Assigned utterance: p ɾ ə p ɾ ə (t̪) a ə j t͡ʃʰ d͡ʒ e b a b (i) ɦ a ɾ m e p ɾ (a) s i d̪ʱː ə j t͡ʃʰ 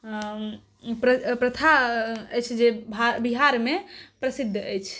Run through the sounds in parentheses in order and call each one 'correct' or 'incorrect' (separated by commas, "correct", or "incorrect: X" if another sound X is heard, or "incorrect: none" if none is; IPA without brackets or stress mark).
incorrect: t̪ʰ, correct, incorrect: ə